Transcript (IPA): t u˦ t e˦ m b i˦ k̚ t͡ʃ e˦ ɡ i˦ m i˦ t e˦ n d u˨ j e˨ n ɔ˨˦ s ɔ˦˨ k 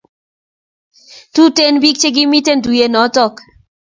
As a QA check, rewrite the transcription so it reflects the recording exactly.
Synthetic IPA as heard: t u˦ t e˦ n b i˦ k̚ t͡ʃ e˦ ɡ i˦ m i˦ t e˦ n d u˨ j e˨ n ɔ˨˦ t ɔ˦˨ k